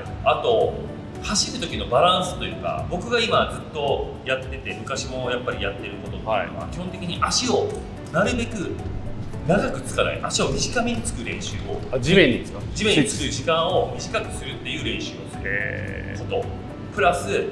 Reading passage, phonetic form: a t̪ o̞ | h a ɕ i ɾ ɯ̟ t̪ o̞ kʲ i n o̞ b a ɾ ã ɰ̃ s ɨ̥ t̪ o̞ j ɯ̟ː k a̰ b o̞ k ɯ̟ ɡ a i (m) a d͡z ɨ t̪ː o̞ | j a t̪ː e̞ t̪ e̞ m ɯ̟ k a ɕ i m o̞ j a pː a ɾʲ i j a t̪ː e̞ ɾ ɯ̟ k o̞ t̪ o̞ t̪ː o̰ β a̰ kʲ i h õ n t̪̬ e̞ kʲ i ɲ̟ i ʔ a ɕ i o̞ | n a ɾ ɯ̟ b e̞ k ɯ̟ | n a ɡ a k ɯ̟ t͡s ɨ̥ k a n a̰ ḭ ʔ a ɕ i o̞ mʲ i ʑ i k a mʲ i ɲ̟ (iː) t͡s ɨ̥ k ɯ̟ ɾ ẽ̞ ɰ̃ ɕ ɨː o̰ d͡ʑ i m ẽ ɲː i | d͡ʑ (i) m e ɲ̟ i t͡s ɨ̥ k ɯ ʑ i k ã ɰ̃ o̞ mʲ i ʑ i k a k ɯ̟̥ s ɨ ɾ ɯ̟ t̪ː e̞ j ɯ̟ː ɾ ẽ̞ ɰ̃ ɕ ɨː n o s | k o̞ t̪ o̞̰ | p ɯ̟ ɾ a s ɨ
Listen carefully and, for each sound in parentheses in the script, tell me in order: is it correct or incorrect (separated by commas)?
correct, incorrect, correct